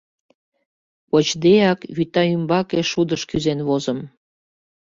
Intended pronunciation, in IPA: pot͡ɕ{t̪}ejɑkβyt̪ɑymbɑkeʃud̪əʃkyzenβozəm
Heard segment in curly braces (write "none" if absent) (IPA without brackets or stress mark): d̪